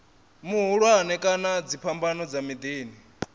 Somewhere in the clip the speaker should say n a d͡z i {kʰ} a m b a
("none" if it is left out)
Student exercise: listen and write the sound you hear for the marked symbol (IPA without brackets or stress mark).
pʰ